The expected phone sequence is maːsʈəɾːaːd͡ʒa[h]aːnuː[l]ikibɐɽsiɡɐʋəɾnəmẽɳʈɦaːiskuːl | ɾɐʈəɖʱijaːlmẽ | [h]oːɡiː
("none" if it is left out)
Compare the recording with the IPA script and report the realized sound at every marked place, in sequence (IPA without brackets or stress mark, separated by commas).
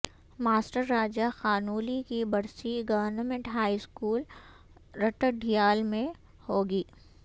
x, l, h